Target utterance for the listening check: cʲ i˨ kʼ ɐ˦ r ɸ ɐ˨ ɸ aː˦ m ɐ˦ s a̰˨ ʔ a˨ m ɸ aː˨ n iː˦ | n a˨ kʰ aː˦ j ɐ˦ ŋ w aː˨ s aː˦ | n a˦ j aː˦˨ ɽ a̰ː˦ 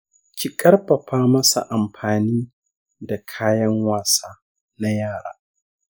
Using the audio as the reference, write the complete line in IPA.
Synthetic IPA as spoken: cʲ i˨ kʼ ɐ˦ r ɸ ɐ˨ ɸ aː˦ m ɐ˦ s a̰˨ ʔ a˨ m ɸ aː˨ n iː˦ | d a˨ kʰ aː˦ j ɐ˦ ŋ w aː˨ s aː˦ | n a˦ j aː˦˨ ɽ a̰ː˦

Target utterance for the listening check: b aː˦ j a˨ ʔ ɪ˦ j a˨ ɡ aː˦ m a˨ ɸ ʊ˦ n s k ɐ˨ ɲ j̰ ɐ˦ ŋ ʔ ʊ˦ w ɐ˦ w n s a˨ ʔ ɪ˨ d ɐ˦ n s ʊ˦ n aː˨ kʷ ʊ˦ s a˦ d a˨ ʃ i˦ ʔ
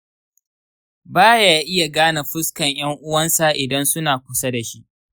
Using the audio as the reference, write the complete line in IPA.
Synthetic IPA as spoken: b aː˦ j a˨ ʔ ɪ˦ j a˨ ɡ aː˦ n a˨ ɸ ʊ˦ s k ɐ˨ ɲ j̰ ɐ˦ ŋ ʔ ʊ˦ w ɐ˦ n s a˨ ʔ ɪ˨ d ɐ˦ n s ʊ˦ n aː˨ kʷ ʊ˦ s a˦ d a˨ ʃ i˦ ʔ

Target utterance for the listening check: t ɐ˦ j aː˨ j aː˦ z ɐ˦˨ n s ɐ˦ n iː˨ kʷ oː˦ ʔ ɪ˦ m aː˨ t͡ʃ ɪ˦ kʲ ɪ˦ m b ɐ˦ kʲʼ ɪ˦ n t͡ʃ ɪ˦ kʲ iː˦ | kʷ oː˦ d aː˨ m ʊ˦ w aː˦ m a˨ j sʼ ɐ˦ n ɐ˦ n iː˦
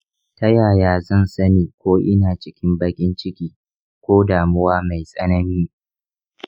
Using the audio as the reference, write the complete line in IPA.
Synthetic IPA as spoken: t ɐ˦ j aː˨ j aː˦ z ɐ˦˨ n s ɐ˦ n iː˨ kʷ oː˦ ʔ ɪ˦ n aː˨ t͡ʃ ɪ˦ kʲ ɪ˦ m b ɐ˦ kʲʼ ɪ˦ n t͡ʃ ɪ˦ kʲ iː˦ | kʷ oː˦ d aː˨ m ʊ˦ w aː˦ m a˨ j sʼ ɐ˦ n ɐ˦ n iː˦

